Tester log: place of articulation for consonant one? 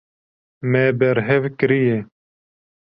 labial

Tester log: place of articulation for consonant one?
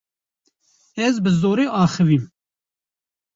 alveolar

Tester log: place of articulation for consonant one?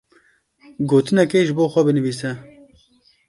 velar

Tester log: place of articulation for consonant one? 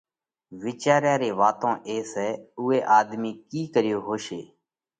labial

